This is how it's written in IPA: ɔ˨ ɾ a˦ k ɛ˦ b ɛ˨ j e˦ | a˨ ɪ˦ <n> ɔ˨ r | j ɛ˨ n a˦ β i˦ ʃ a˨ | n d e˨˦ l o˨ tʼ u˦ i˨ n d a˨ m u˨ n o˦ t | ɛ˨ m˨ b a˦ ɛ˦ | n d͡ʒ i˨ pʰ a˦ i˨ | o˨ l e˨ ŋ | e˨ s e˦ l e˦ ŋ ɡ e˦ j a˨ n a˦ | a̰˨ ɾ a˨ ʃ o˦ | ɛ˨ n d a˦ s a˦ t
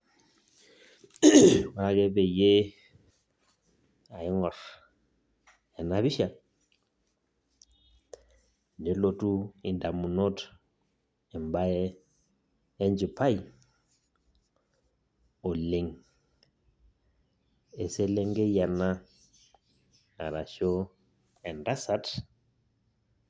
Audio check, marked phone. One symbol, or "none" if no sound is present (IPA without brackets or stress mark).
ŋ